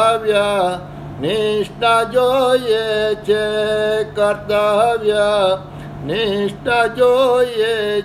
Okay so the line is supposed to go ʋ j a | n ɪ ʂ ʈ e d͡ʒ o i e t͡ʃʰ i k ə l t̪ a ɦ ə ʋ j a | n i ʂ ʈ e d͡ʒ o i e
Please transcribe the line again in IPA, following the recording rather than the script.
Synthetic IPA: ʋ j a | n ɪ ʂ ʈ a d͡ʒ o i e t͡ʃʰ e k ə ɾ t̪ a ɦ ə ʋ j a | n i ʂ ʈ a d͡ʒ o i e